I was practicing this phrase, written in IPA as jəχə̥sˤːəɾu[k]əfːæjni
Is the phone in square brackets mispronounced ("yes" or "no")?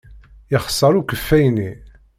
no